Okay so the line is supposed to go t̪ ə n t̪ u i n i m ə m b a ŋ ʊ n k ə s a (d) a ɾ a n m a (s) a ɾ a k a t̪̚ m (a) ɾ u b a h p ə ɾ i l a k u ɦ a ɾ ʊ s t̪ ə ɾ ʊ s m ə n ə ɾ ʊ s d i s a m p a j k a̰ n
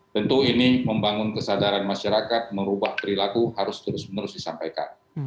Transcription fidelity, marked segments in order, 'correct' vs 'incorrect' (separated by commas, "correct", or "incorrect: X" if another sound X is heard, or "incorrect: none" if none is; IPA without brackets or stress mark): correct, incorrect: ʃ, incorrect: ə